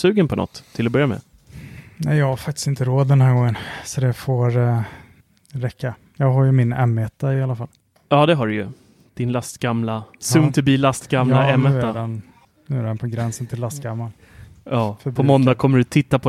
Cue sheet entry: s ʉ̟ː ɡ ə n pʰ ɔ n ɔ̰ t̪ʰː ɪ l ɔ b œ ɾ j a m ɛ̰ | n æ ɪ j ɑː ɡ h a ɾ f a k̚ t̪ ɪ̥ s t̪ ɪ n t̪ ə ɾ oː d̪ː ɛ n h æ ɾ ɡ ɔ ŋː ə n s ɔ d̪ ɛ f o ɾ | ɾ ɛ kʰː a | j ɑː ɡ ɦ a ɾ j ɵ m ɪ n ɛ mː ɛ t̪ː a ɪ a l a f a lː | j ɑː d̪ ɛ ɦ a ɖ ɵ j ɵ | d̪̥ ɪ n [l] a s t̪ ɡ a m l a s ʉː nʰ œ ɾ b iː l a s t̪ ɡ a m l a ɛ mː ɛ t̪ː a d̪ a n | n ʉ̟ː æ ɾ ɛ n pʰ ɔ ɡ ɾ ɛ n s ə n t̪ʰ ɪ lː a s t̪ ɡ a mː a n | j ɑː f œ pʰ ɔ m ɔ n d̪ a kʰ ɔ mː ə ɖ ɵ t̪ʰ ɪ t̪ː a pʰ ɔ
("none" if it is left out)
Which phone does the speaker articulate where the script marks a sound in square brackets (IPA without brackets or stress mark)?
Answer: l